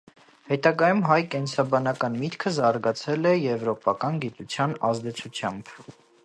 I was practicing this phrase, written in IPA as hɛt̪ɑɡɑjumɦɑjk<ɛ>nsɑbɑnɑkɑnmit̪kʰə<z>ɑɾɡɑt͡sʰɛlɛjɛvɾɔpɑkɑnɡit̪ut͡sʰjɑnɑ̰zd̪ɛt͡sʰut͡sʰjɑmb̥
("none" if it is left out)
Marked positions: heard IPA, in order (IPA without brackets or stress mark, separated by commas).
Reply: ɛ, z